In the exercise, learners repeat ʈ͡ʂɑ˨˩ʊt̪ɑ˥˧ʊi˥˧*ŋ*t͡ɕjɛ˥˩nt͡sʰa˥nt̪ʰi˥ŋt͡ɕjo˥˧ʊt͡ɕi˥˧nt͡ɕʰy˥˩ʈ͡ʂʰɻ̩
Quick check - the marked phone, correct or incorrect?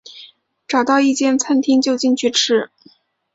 incorrect